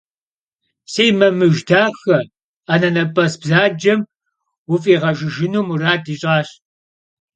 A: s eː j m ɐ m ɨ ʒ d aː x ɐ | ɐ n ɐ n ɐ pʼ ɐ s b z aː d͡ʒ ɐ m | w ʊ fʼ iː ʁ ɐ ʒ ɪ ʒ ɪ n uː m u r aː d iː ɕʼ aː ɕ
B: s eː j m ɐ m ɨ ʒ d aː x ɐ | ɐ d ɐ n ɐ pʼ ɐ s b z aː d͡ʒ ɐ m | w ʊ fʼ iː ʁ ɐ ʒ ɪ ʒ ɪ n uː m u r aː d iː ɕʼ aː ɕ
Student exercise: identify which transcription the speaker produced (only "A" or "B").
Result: A